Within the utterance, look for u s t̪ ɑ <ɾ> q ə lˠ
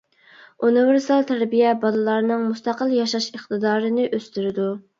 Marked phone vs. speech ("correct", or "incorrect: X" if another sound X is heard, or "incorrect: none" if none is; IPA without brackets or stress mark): incorrect: none